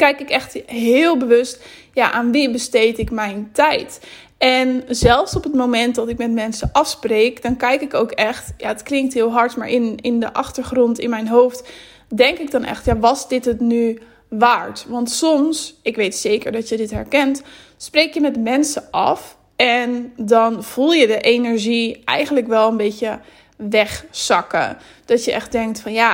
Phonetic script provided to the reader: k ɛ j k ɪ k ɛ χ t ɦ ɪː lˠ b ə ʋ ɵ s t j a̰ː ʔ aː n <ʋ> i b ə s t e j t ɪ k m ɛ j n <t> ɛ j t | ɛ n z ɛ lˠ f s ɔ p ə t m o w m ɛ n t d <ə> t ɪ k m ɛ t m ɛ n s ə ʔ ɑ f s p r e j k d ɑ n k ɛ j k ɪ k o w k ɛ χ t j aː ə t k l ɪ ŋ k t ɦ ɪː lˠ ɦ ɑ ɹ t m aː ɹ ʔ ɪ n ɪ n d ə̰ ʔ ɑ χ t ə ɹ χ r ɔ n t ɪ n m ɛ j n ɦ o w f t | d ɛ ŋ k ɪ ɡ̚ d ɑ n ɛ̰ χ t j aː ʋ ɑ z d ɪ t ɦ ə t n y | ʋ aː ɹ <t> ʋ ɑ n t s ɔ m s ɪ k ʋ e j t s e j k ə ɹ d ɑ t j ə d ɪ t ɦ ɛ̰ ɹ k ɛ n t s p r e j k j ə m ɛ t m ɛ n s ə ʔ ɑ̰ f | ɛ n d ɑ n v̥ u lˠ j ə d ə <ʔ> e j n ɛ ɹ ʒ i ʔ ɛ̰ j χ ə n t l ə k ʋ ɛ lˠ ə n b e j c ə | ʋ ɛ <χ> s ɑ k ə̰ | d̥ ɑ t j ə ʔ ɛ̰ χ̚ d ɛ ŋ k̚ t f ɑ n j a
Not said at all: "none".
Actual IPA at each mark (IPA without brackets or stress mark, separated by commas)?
ʋ, t, ɑ, t, ʔ, χ